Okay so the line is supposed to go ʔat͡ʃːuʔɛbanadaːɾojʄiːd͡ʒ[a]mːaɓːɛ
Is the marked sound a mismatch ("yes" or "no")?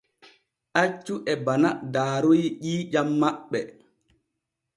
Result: no